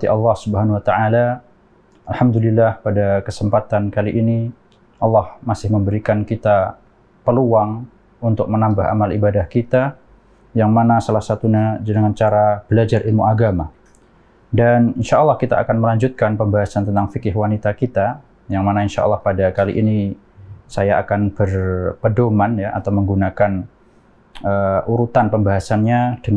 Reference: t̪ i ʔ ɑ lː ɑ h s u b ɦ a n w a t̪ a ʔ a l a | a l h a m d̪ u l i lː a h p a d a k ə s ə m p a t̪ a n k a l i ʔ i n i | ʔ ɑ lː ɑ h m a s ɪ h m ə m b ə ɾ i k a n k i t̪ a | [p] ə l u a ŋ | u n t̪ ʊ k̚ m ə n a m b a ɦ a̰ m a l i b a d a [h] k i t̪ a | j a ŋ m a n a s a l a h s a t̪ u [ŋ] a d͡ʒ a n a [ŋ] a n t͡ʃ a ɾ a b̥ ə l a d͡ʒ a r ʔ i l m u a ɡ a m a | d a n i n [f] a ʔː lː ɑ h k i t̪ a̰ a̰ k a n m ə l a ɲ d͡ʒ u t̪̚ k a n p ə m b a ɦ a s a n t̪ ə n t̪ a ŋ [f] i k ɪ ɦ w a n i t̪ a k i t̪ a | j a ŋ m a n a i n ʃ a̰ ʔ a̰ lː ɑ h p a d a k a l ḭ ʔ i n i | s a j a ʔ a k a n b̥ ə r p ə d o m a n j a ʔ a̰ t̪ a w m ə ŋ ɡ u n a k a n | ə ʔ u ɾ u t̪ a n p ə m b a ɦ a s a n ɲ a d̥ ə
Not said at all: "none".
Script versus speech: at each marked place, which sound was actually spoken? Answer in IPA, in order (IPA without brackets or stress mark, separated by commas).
p, h, ɲ, ŋ, ʃ, f